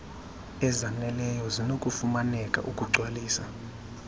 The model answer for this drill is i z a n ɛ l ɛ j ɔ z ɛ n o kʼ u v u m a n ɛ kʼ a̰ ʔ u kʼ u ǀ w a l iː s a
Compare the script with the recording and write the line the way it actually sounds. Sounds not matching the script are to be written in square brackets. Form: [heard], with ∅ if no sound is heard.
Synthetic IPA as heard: [ɛ] z a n ɛ l ɛ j ɔ z [i] n o kʼ u [f] u m a n ɛ kʼ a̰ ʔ u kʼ u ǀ w a l iː s a